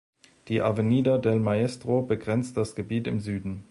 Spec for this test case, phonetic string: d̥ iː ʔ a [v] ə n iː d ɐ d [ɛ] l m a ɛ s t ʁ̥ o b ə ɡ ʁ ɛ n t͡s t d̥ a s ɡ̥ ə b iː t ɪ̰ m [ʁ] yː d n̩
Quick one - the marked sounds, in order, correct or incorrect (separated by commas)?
correct, correct, incorrect